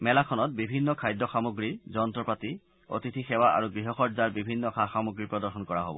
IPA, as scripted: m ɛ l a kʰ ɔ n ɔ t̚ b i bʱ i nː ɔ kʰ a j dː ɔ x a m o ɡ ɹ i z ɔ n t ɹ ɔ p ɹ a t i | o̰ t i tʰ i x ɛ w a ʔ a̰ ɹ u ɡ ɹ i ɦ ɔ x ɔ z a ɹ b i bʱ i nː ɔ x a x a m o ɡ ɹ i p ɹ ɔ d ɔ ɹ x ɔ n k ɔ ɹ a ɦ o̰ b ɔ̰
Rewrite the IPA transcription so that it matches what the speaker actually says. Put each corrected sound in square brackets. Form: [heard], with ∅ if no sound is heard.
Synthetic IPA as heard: m ɛ l a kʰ ɔ n ɔ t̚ b i bʱ i nː ɔ kʰ a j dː ɔ x a m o ɡ ɹ i z ɔ n t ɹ ɔ p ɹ a t i | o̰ t i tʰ i x ɛ w a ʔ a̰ ɹ u ɡ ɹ i ɦ ɔ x ɔ z a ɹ b i bʱ i nː ɔ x a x a m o ɡ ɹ i p ɹ ɔ d ɔ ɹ x ɔ n k ɔ ɹ a ɦ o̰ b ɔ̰